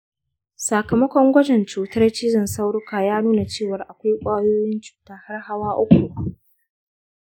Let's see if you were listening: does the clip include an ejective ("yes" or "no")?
yes